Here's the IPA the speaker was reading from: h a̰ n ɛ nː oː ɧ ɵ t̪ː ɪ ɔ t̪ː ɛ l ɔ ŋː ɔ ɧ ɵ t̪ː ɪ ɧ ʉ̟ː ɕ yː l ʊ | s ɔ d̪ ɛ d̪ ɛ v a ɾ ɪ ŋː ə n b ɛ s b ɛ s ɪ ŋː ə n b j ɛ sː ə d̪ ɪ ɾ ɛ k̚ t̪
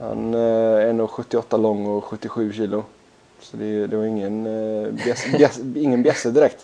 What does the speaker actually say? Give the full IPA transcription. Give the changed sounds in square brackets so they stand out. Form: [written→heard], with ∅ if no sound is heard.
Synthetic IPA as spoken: h a̰ n ɛ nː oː ɧ ɵ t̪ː ɪ ɔ t̪ː [ɛ→a] l ɔ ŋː ɔ ɧ ɵ t̪ː ɪ ɧ ʉ̟ː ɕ [yː→iː] l ʊ | s ɔ d̪ ɛ d̪ ɛ v a ɾ ɪ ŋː ə n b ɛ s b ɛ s ɪ ŋː ə n b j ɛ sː ə d̪ ɪ ɾ ɛ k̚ t̪